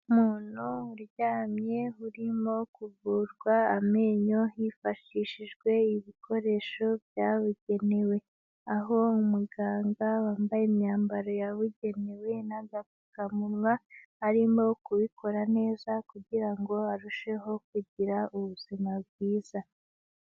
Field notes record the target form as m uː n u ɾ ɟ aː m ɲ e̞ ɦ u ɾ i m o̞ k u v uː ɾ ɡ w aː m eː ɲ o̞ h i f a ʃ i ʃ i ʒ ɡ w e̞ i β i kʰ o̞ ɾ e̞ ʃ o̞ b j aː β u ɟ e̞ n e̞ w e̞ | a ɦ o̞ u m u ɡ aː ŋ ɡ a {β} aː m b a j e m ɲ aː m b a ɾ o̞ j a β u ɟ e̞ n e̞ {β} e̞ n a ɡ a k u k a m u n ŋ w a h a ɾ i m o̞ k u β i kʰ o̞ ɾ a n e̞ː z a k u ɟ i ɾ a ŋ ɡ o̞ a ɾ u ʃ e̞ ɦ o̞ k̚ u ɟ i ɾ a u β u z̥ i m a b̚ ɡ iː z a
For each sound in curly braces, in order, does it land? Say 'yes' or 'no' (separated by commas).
no, no